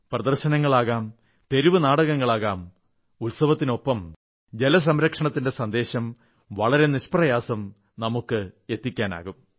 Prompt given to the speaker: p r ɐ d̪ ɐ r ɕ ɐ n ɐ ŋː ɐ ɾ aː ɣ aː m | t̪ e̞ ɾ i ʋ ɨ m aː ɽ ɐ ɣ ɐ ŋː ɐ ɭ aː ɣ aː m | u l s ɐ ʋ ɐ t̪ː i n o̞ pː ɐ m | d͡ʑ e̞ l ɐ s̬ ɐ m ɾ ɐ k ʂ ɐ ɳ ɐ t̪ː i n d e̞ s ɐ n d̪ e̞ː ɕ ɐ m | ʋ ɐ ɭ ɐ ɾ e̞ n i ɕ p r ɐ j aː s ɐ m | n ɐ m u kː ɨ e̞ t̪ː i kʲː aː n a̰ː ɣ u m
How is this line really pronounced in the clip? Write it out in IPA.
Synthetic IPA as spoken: p r ɐ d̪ ɐ r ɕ ɐ n ɐ ŋː ɐ ɭ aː ɣ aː m | t̪ e̞ ɾ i ʋ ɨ n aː ɽ ɐ ɣ ɐ ŋː ɐ ɭ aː ɣ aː m | u l s ɐ ʋ ɐ t̪ː i n o̞ pː ɐ m | d͡ʑ e̞ l ɐ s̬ ɐ m ɾ ɐ k ʂ ɐ ɳ ɐ t̪ː i n d e̞ s ɐ n d̪ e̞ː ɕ ɐ m | ʋ ɐ ɭ ɐ ɾ e̞ n i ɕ p r ɐ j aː s ɐ m | n ɐ m u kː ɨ e̞ t̪ː i kʲː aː n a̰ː ɣ u m